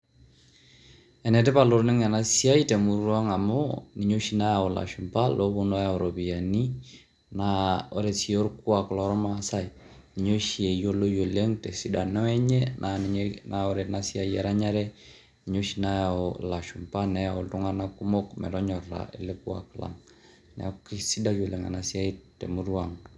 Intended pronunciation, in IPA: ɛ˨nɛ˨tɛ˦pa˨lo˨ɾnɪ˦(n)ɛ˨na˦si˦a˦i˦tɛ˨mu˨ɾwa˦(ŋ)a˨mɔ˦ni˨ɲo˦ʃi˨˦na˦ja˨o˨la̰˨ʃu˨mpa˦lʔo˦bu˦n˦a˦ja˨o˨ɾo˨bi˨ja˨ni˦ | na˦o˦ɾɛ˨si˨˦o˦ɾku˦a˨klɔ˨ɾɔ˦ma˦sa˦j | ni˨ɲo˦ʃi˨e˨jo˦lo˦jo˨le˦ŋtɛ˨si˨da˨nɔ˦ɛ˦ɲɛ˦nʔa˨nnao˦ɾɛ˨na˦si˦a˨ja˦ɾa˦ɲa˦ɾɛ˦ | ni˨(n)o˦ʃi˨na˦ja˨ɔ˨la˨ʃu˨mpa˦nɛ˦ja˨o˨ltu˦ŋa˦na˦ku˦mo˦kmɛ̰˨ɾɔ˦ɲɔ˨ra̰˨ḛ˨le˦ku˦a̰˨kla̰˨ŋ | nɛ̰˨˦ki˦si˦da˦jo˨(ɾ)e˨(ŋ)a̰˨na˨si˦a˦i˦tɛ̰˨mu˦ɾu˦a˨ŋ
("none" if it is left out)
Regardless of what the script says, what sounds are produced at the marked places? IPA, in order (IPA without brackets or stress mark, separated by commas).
ŋ, ŋ, ɲ, l, ŋ